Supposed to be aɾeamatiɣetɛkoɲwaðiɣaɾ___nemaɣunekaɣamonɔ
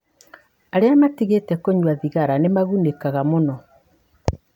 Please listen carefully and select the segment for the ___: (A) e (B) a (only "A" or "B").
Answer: B